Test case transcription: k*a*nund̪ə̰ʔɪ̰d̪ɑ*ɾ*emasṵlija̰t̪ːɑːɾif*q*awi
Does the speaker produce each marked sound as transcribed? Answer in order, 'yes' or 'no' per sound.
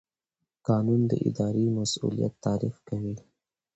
no, yes, no

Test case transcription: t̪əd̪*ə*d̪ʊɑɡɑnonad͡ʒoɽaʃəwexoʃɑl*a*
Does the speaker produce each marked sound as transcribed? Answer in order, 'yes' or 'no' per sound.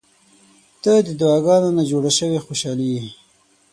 yes, no

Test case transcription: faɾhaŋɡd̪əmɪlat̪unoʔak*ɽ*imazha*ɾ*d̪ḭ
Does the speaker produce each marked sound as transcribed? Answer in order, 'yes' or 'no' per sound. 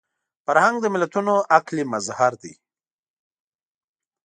no, yes

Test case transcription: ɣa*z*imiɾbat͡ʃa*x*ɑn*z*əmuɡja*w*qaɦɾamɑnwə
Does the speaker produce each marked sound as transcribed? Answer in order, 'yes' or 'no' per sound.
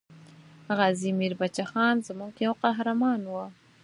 yes, yes, yes, yes

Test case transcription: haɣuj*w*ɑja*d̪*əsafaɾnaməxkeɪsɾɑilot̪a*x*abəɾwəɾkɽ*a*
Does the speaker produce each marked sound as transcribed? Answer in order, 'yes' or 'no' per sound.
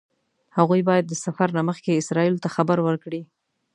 no, no, yes, no

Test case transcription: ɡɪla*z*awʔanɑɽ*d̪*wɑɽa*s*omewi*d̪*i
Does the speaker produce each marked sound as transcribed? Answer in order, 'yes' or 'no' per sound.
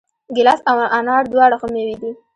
no, yes, no, yes

